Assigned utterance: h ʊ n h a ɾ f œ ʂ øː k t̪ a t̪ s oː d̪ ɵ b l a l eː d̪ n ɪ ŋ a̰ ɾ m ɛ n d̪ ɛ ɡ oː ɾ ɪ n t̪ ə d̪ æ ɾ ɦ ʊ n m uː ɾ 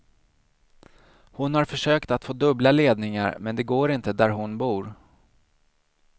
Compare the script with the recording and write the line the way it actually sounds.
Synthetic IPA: h ʊ n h a ɾ f œ ʂ øː k t̪ a t̪ f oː d̪ ɵ b l a l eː d̪ n ɪ ŋ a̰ ɾ m ɛ n d̪ ɛ ɡ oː ɾ ɪ n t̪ ə d̪ æ ɾ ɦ ʊ n b uː ɾ